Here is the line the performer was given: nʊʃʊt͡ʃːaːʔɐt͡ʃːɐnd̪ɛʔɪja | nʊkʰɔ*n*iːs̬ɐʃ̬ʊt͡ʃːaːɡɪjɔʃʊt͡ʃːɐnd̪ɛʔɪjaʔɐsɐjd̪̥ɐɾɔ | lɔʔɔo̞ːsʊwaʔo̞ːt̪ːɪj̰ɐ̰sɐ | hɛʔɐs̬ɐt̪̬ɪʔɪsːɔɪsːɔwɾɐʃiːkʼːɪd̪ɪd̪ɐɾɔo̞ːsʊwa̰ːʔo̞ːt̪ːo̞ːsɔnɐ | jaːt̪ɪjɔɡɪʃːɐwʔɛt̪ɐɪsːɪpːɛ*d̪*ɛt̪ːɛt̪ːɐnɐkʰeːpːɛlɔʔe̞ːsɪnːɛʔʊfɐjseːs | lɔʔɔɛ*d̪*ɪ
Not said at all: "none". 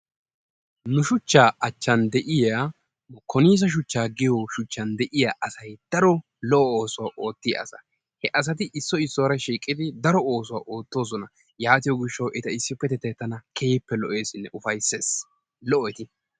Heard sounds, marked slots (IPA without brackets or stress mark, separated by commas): n, t̪, t̪